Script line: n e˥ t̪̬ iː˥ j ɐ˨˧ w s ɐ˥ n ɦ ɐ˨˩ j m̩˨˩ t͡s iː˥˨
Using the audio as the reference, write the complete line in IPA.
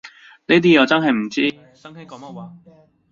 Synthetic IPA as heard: n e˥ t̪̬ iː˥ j ɐ˨˧ w t͡s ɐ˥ n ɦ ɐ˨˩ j m̩˨˩ t͡s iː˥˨